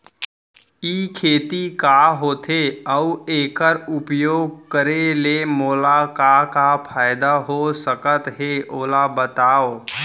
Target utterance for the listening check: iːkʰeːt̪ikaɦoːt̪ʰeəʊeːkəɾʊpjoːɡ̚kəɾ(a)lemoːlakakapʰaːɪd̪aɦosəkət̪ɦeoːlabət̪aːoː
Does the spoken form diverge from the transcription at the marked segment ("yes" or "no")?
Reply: yes